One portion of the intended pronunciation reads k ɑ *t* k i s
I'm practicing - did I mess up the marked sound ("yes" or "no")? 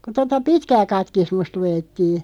no